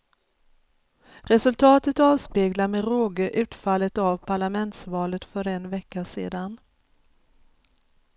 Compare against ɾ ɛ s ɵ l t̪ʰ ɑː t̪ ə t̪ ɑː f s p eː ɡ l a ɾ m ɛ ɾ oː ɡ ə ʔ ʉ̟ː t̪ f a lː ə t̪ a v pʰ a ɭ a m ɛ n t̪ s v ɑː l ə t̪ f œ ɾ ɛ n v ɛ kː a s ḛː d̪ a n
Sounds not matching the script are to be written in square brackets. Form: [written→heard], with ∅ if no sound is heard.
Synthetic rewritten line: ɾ ɛ s ɵ l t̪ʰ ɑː t̪ ə t̪ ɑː [f→v] s p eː ɡ l a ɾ m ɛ ɾ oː ɡ ə ʔ ʉ̟ː t̪ f a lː ə t̪ a v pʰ a ɭ a m ɛ n t̪ s v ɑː l ə t̪ f œ ɾ ɛ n v ɛ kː a s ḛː d̪ a n

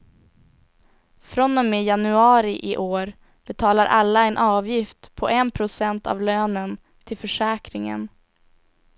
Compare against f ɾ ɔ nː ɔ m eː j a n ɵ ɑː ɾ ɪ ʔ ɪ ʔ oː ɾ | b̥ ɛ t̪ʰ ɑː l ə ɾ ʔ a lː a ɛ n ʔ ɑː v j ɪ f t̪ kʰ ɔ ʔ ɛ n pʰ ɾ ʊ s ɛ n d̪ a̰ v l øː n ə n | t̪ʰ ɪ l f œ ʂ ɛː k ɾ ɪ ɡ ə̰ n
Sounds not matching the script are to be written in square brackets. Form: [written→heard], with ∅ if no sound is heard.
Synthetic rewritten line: f ɾ ɔ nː ɔ m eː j a n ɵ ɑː ɾ ɪ ʔ ɪ ʔ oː ɾ | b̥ ɛ t̪ʰ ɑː l [ə→a] ɾ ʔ a lː a ɛ n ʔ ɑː v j ɪ f t̪ [kʰ→pʰ] ɔ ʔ ɛ n pʰ ɾ ʊ s ɛ n [d̪→t̪] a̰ v l øː n ə n | t̪ʰ ɪ l f œ ʂ ɛː k ɾ ɪ [ɡ→ŋ] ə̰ n

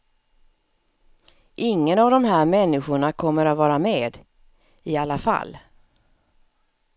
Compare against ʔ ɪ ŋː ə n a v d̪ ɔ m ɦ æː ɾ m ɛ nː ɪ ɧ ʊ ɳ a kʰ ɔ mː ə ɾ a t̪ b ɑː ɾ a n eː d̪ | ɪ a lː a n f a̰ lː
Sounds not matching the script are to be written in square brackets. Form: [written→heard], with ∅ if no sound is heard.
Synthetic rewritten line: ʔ ɪ ŋː ə n a v d̪ ɔ m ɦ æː ɾ m ɛ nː ɪ ɧ ʊ ɳ a kʰ ɔ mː ə ɾ a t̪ [b→v] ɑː ɾ a [n→m] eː d̪ | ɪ a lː a [n→∅] f a̰ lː

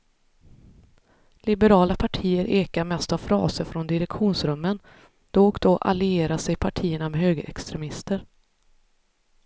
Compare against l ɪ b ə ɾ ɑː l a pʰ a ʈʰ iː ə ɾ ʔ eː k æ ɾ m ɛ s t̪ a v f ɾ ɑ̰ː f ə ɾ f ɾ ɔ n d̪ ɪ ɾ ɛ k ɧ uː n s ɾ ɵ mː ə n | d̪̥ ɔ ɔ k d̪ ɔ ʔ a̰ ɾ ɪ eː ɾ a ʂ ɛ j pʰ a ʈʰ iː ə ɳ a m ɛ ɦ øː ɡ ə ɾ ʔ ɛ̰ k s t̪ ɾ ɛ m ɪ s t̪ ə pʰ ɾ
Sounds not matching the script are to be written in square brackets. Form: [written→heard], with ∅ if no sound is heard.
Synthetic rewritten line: l ɪ b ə ɾ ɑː l a pʰ a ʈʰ iː ə ɾ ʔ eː k [æ→a] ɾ m ɛ s t̪ a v f ɾ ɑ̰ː [f→s] ə ɾ f ɾ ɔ n d̪ ɪ ɾ ɛ k ɧ uː n s ɾ ɵ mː ə n | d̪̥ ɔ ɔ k d̪ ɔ ʔ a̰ [ɾ→l] ɪ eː ɾ a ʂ ɛ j pʰ a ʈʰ iː ə ɳ a m ɛ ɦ øː ɡ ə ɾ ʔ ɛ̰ k s t̪ ɾ ɛ m ɪ s t̪ ə [pʰ→∅] ɾ

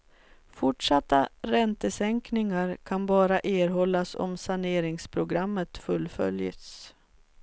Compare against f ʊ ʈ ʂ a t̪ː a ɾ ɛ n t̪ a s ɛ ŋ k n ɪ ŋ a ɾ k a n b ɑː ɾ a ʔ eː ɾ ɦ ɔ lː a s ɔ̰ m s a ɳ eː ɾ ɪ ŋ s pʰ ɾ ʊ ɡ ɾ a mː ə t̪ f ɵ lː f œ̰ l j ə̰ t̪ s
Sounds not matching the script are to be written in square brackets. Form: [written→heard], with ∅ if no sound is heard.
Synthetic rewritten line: f ʊ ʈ ʂ a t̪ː a ɾ ɛ n t̪ [a→ə] s ɛ ŋ k n ɪ ŋ a ɾ [k→kʰ] a n b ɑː ɾ a ʔ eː ɾ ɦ ɔ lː a s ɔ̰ m s a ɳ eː ɾ ɪ ŋ s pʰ ɾ ʊ ɡ ɾ a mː ə t̪ f ɵ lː f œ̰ l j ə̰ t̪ s

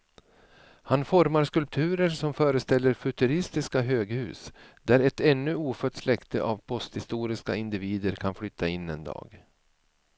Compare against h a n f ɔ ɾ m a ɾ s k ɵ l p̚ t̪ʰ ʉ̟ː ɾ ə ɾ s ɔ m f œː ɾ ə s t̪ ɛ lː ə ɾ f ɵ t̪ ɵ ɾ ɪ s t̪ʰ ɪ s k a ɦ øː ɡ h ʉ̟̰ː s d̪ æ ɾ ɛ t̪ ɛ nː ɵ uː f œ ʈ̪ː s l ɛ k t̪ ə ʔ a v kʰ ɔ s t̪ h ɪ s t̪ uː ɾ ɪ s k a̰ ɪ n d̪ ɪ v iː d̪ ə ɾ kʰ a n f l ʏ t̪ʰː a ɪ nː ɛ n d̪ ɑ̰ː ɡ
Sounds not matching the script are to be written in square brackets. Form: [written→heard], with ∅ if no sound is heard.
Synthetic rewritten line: h a n f ɔ ɾ m a ɾ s k ɵ l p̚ t̪ʰ ʉ̟ː ɾ ə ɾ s ɔ m f œː ɾ ə s t̪ ɛ lː ə ɾ f ɵ t̪ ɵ ɾ ɪ s [t̪ʰ→t̪] ɪ s k a ɦ øː ɡ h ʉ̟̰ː s d̪ æ ɾ ɛ t̪ ɛ nː ɵ uː f œ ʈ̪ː s l ɛ k t̪ ə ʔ a v [kʰ→pʰ] ɔ s t̪ h ɪ s t̪ uː ɾ ɪ s k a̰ ɪ n d̪ ɪ v iː d̪ ə ɾ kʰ a n f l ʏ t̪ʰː a ɪ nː ɛ n d̪ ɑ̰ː ɡ

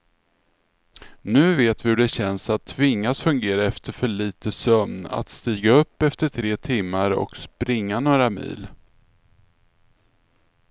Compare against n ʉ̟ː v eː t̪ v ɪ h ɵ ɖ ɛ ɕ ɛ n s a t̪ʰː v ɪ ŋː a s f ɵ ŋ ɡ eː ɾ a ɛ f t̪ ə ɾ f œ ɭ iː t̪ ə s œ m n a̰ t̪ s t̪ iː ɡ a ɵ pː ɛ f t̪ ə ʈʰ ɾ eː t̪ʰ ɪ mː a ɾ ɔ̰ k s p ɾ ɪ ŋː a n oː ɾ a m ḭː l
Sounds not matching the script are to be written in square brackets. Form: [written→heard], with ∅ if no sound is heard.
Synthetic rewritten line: n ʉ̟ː v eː t̪ v ɪ h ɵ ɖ ɛ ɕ ɛ n s a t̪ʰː v ɪ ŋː a s f ɵ ŋ ɡ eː ɾ a ɛ f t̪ ə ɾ f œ ɭ iː t̪ ə s œ m n a̰ t̪ s t̪ iː ɡ a ɵ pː ɛ f t̪ ə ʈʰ ɾ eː t̪ʰ ɪ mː a ɾ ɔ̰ k s p ɾ ɪ ŋː a n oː ɾ a m ḭː l

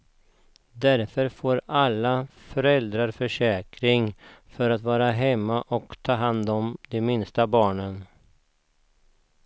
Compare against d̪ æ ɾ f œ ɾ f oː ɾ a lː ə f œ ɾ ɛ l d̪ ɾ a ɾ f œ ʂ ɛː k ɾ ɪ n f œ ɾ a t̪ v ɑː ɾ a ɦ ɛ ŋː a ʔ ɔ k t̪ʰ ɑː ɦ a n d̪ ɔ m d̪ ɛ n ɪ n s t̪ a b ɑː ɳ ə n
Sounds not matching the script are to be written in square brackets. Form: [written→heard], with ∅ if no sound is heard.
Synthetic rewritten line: d̪ æ ɾ f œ ɾ f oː ɾ a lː [ə→a] f œ ɾ ɛ l d̪ ɾ a ɾ f œ ʂ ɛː k ɾ ɪ [n→ŋ] f œ ɾ a t̪ v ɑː ɾ a ɦ ɛ [ŋː→mː] a ʔ ɔ k t̪ʰ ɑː ɦ a n d̪ ɔ m d̪ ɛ [n→m] ɪ n s t̪ a b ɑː ɳ ə n

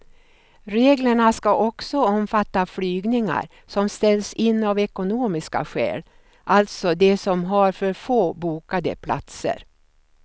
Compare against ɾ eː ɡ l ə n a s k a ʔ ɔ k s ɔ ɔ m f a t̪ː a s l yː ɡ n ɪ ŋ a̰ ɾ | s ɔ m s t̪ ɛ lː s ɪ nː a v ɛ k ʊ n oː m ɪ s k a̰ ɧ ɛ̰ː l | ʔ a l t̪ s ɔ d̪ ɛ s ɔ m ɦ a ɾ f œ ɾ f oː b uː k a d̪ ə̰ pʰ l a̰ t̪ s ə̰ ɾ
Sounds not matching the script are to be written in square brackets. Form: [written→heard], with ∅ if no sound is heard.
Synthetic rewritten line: ɾ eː ɡ l ə [n→ɳ] a s k a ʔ ɔ k s ɔ ɔ m f a t̪ː a [s→f] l yː ɡ n ɪ ŋ a̰ ɾ | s ɔ m s t̪ ɛ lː s ɪ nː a v ɛ k ʊ n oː m ɪ s k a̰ ɧ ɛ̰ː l | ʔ a l t̪ s ɔ d̪ ɛ s ɔ m ɦ a ɾ f œ ɾ f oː b uː k a d̪ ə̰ pʰ l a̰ t̪ s ə̰ ɾ

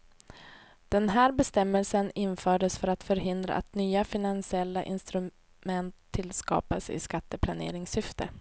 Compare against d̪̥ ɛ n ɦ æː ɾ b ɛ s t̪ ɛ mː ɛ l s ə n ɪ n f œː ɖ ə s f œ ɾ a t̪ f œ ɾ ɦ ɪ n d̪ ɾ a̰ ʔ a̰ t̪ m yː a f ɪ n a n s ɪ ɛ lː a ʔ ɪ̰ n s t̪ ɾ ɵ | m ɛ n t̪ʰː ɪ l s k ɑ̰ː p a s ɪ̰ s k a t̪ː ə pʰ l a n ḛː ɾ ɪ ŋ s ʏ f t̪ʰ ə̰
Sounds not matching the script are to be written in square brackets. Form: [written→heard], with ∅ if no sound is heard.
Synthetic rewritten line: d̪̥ ɛ n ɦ æː ɾ b ɛ s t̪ ɛ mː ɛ l s ə n ɪ n f œː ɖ ə s f œ ɾ a t̪ f œ ɾ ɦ ɪ n d̪ ɾ a̰ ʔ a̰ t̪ [m→n] yː a f ɪ n a n s ɪ ɛ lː a ʔ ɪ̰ n s t̪ ɾ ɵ | m ɛ n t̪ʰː ɪ l s k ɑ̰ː p a s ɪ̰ s k a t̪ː ə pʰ l a n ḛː ɾ ɪ ŋ s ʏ f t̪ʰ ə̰

